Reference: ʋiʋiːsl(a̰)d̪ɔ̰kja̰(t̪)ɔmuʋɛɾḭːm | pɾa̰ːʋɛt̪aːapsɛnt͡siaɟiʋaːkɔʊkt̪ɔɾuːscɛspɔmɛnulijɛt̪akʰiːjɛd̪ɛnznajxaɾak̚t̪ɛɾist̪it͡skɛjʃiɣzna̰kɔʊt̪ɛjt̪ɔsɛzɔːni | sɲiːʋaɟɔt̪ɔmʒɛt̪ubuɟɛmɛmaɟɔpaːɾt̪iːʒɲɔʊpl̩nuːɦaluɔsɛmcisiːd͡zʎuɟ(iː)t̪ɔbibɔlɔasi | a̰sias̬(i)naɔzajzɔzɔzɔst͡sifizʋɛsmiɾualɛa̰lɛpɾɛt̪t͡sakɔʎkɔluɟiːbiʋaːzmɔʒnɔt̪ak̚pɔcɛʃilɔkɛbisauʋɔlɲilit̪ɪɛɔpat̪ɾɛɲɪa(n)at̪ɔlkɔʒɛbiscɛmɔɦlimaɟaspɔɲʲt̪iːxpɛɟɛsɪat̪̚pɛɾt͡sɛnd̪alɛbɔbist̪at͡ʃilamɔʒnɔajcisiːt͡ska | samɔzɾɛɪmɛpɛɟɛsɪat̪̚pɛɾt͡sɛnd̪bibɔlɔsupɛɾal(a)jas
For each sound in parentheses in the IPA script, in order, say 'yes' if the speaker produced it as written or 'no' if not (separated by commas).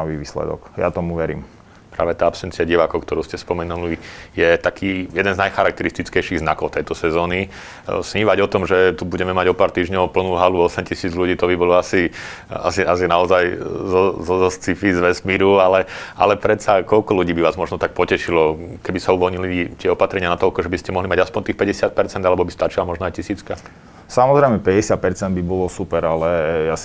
no, yes, yes, yes, yes, no